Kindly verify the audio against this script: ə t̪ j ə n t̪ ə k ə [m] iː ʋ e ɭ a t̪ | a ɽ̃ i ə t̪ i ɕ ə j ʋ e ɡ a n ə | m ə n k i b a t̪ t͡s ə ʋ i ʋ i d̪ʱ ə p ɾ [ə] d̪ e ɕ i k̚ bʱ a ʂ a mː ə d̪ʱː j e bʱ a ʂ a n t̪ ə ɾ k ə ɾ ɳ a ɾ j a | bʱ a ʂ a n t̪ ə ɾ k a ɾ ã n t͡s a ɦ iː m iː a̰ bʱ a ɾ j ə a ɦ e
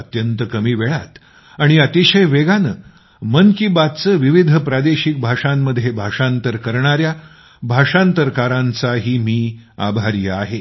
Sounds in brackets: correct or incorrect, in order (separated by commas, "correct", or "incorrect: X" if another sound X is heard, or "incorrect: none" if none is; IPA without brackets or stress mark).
correct, incorrect: a